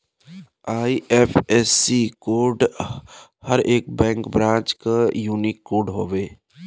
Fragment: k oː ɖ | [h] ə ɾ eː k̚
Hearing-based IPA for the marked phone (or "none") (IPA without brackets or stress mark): h